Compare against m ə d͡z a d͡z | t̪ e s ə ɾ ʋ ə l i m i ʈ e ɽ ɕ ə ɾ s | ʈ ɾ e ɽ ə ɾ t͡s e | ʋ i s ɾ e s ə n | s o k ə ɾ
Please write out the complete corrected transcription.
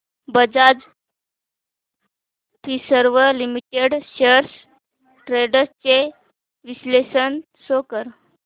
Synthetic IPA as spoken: b ə d͡z a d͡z | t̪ i s ə ɾ ʋ ə l i m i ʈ e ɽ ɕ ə ɾ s | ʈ ɾ e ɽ ə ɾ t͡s e | ʋ i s l e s ə n | s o k ə ɾ